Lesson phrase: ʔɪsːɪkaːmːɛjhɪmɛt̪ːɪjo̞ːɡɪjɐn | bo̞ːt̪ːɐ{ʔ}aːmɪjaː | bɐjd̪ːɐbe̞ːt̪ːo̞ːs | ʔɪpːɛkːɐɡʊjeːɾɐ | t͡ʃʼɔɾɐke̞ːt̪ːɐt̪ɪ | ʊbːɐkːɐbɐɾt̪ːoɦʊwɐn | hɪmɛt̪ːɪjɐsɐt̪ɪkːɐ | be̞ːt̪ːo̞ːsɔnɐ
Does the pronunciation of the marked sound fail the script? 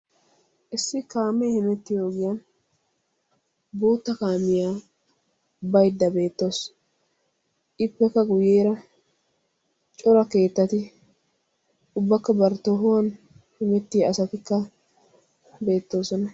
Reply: yes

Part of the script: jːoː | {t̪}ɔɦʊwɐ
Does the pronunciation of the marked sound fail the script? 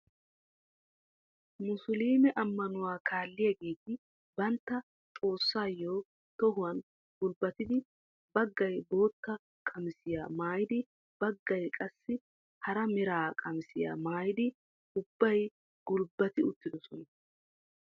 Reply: no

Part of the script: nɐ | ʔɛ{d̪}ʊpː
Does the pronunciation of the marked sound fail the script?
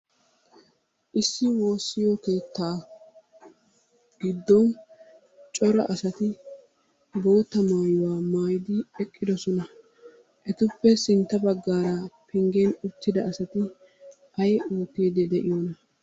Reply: yes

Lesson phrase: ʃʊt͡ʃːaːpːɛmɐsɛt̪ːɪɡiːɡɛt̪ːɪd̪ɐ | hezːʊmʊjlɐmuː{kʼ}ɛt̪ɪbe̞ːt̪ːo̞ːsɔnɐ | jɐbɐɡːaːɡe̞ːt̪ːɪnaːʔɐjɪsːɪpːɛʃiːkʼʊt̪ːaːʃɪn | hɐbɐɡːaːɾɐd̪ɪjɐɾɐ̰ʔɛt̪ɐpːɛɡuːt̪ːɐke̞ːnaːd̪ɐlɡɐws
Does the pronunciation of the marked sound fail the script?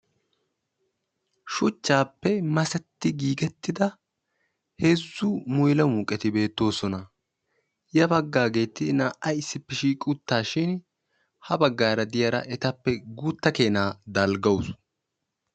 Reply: no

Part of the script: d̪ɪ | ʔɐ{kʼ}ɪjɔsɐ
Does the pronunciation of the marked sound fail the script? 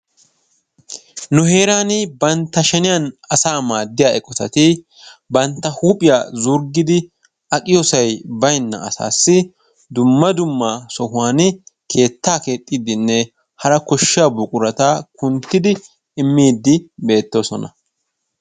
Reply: no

